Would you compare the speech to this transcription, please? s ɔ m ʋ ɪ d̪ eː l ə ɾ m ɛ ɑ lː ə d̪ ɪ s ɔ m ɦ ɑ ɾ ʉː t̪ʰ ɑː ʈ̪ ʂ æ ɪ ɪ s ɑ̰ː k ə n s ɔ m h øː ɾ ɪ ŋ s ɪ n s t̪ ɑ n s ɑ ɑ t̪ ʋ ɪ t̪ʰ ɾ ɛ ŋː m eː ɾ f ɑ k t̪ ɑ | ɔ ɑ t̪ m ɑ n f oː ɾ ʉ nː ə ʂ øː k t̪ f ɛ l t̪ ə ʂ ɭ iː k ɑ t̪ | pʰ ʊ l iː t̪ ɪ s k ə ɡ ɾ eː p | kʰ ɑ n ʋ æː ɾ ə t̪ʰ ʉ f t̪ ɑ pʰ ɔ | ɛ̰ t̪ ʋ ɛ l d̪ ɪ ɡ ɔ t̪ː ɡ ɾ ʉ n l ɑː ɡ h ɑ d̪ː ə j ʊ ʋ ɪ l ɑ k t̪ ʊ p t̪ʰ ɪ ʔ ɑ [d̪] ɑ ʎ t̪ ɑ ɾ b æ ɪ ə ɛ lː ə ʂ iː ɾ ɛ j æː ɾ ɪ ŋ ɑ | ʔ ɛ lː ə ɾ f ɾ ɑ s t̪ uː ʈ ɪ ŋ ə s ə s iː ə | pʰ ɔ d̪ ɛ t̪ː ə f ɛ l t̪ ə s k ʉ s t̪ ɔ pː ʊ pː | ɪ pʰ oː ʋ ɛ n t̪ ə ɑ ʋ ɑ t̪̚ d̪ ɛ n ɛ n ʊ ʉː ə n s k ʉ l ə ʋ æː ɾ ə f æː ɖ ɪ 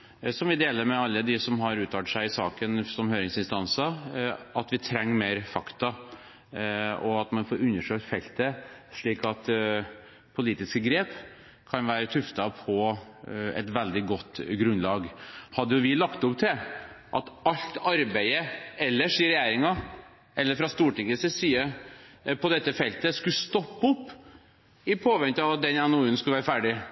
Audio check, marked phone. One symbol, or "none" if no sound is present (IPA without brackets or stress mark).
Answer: t̪